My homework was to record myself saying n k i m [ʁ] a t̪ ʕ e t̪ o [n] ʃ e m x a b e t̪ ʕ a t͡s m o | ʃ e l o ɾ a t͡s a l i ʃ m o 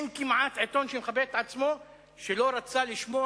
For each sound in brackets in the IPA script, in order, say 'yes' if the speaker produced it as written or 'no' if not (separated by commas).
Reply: no, yes